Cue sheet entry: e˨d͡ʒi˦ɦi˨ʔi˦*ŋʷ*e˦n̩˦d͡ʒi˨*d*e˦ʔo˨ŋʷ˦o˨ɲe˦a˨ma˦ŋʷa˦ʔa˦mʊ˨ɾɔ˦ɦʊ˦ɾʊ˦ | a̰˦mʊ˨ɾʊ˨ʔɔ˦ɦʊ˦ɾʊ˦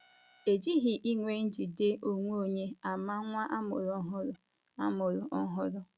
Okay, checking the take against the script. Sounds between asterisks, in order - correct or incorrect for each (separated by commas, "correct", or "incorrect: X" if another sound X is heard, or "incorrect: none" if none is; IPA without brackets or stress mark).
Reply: correct, correct